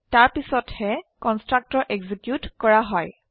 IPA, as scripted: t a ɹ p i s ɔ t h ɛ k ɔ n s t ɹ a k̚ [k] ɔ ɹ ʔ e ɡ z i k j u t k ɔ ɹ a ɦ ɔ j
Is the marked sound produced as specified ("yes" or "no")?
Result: no